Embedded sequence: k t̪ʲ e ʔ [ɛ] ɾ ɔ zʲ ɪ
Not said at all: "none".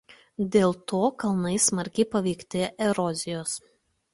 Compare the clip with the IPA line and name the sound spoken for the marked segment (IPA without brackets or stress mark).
ɛ